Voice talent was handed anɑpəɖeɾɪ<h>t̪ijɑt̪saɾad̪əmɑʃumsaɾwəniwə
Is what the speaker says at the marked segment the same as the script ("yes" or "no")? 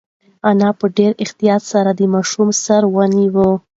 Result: no